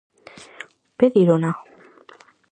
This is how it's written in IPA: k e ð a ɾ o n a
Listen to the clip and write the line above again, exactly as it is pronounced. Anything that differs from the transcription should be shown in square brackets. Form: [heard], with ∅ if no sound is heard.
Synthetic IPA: [p] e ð [i] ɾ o n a